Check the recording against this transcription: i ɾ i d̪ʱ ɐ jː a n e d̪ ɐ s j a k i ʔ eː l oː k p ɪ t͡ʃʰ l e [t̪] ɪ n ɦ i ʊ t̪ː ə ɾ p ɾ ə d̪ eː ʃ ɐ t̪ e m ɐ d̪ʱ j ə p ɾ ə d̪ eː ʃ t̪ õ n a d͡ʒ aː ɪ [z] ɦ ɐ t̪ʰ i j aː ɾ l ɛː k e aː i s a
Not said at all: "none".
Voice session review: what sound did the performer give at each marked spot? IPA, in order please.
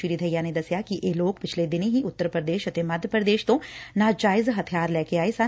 d̪, z

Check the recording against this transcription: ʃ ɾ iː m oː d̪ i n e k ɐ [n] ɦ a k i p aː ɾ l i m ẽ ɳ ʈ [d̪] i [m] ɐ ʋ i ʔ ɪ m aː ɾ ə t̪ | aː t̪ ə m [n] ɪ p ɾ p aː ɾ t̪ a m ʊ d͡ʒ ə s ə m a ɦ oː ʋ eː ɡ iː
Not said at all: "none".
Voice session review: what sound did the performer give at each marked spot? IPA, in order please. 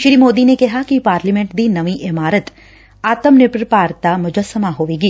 none, d̪, n, n

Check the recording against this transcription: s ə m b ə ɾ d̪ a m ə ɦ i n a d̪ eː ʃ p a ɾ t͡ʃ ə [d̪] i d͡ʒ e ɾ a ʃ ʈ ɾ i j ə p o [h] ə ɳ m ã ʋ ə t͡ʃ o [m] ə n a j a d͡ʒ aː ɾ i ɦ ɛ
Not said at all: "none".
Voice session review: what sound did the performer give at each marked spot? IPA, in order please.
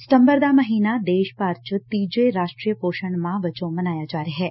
t̪, ʃ, m

